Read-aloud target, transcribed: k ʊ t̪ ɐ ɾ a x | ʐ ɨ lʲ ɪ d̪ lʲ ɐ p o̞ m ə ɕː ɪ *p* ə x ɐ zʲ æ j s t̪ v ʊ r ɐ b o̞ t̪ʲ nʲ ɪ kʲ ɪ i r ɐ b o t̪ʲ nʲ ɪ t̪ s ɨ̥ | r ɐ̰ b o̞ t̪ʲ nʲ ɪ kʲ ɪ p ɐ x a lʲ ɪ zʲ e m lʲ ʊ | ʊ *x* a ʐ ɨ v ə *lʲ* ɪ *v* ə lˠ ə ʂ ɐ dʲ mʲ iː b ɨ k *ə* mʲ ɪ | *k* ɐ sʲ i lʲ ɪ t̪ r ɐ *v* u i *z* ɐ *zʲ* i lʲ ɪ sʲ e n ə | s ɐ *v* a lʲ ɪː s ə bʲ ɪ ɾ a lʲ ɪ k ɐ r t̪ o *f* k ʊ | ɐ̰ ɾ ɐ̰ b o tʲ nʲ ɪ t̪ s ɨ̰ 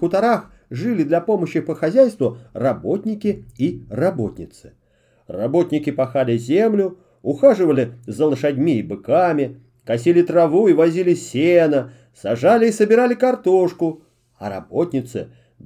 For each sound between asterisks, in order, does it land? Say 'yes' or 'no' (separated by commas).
yes, yes, yes, no, no, yes, yes, no, yes, no, no